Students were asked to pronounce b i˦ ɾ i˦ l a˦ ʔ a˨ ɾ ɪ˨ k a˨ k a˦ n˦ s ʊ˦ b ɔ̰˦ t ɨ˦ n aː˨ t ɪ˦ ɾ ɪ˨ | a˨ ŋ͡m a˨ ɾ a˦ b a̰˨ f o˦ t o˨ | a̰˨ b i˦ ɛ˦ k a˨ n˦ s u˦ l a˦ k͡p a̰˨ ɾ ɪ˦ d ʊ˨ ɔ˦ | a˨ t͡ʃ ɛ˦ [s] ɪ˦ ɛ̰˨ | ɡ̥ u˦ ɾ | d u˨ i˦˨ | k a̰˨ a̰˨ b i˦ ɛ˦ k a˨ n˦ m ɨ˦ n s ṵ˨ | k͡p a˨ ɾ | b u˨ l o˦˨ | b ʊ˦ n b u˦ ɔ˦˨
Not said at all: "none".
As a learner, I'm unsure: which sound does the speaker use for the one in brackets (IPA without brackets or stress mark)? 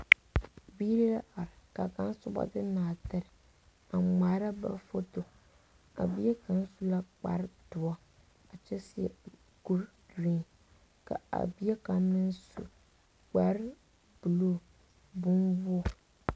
s